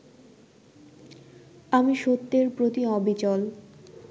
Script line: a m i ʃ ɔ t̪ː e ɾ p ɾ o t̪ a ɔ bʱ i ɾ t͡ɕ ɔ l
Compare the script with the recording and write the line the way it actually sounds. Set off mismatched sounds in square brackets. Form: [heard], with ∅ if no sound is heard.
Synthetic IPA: a m i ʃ [o] t̪ː e ɾ p ɾ o t̪ [i] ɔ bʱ i [∅] t͡ɕ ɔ l